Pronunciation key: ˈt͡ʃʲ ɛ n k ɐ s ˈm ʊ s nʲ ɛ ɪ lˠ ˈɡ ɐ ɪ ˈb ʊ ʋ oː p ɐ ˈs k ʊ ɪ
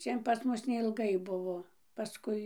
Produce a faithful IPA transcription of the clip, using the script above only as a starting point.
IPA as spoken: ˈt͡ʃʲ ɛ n p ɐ s ˈm ʊ s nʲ ɛ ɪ lˠ ˈɡ ɐ ɪ ˈb ʊ ʋ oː p ɐ ˈs k ʊ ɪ